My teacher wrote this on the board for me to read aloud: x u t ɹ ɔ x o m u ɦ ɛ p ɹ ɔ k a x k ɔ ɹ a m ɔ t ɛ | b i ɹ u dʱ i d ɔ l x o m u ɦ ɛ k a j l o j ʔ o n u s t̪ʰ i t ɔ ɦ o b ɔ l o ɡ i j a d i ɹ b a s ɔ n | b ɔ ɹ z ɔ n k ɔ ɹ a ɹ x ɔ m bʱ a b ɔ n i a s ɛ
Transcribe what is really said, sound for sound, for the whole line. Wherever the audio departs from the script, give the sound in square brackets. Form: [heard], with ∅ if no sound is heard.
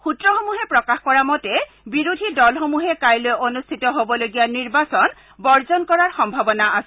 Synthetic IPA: x u t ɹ ɔ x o m u ɦ ɛ p ɹ ɔ k a x k ɔ ɹ a m ɔ t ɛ | b i ɹ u dʱ i d ɔ l x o m u ɦ ɛ k a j l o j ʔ o n u s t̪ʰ i t ɔ ɦ o b ɔ l o ɡ i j a [n] i ɹ b a s ɔ n | b ɔ ɹ z ɔ n k ɔ ɹ a ɹ x ɔ m bʱ a b ɔ n [a] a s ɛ